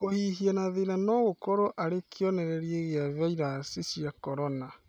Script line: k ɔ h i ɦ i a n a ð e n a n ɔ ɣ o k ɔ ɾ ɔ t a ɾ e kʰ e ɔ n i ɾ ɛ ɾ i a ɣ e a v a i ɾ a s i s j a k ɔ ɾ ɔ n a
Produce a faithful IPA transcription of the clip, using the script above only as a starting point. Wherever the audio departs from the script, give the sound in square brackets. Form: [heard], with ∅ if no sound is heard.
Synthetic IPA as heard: k [o] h i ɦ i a n a ð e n a n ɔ ɣ o k ɔ ɾ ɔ [ʔ] a ɾ e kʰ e ɔ n [ɛ] ɾ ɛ ɾ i [e] ɣ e a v a i ɾ a s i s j a k ɔ ɾ ɔ n a